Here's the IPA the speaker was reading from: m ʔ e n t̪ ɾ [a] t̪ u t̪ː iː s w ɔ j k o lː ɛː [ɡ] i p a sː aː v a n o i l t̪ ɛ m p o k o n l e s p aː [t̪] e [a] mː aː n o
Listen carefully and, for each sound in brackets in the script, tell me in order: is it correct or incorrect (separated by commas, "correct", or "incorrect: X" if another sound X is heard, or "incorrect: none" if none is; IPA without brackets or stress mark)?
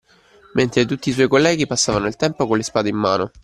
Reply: incorrect: e, correct, incorrect: d̪, incorrect: i